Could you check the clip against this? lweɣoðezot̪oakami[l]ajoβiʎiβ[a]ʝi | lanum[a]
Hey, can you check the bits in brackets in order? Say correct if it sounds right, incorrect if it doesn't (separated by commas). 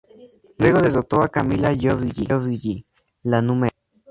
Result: correct, incorrect, incorrect